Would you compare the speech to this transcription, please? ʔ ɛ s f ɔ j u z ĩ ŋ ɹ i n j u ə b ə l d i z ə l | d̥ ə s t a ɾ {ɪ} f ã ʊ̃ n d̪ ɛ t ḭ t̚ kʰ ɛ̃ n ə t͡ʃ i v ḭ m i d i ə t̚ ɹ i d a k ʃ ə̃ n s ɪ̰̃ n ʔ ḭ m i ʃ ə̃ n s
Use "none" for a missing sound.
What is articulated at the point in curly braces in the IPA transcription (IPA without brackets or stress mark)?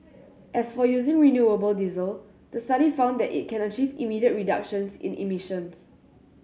i